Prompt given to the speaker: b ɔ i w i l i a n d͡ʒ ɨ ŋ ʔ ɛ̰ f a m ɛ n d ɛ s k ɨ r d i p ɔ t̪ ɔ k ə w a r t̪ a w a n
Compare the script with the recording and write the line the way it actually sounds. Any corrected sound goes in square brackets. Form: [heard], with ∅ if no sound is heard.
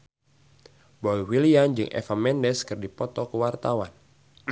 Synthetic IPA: b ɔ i w i l i a n d͡ʒ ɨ ŋ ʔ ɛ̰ f a m ɛ n d ɛ s k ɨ r d i p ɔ t̪ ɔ k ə w a r t̪ a w a n